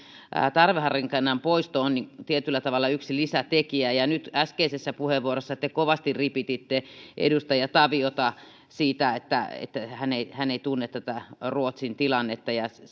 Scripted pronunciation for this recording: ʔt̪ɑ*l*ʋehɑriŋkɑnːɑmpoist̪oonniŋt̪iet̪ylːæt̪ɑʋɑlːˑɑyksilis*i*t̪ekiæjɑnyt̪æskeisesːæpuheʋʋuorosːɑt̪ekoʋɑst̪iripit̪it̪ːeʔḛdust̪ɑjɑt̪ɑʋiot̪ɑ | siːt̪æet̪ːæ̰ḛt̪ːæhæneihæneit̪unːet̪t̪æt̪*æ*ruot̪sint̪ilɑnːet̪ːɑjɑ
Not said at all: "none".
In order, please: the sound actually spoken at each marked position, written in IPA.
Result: r, æ, æ

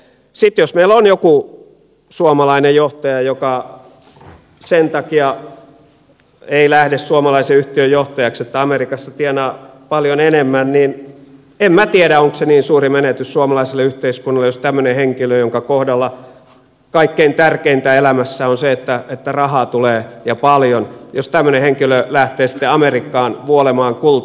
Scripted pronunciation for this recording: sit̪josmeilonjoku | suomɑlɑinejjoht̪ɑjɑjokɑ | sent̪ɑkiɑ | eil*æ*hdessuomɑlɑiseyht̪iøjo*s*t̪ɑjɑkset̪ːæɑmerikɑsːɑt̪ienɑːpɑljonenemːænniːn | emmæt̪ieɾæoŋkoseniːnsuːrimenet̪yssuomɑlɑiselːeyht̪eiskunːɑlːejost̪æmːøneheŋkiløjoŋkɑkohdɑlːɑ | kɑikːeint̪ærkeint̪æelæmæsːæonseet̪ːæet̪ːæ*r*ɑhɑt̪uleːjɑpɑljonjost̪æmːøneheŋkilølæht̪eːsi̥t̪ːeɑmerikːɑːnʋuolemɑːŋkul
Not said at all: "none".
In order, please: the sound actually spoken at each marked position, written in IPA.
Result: æ, h, r

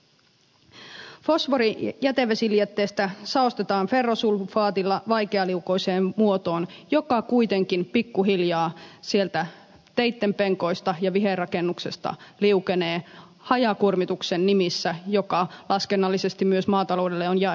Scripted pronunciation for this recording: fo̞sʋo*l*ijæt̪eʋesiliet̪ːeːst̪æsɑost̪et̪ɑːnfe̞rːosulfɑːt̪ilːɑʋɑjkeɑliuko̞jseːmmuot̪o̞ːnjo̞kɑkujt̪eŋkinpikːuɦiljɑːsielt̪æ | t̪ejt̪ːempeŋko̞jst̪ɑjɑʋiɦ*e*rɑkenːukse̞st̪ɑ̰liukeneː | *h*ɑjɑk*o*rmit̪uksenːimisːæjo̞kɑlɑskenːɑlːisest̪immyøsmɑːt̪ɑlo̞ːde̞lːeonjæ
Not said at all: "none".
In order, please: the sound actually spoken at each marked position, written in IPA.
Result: ɾ, e, h, u

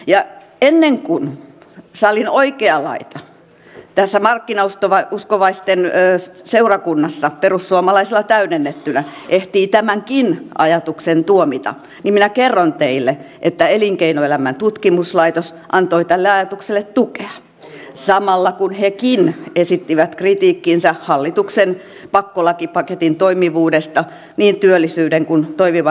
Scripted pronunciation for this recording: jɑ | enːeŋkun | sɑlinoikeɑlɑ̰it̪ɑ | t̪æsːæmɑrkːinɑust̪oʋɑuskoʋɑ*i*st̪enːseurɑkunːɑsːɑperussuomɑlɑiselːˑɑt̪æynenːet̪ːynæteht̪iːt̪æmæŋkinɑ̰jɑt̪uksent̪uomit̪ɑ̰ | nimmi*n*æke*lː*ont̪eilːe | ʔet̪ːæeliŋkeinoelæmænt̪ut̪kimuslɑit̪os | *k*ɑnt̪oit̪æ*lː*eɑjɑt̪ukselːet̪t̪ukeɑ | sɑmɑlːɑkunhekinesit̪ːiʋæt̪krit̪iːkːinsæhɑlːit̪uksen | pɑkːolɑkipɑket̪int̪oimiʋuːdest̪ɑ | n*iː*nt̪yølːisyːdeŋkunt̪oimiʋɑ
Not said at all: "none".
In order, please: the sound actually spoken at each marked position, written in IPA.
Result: i, n, rː, ʔ, lː, iː

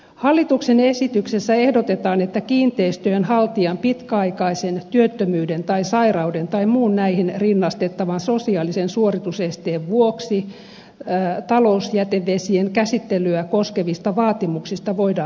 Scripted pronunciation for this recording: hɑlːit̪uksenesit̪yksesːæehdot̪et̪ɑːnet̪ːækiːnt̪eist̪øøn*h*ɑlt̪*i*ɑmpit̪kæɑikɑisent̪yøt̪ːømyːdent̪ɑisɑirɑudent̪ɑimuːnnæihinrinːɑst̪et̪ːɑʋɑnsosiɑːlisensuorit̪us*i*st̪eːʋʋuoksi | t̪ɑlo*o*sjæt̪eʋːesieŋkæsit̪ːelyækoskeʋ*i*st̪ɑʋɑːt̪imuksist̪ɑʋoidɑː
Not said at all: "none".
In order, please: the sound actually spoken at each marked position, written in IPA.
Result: h, i, e, u, i

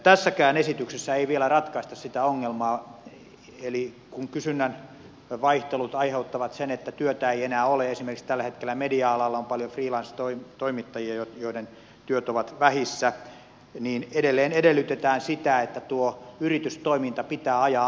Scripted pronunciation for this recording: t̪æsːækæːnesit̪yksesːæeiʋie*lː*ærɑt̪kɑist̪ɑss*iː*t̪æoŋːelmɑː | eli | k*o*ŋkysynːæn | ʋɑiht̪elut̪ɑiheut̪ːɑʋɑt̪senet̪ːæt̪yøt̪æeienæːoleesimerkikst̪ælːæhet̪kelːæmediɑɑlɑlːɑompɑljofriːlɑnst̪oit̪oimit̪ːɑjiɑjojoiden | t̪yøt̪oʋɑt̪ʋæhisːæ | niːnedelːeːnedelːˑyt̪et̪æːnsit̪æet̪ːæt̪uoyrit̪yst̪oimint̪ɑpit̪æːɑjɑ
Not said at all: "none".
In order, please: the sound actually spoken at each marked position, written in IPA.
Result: l, i, u

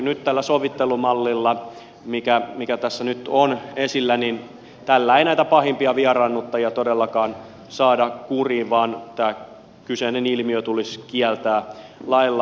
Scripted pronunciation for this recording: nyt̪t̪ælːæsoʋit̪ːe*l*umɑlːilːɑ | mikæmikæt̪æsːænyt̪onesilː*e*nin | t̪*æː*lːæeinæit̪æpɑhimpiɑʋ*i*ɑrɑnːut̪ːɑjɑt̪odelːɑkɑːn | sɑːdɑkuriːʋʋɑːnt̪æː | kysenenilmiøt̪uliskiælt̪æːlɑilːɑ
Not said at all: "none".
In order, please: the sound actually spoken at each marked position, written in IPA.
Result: l, æ, æ, i

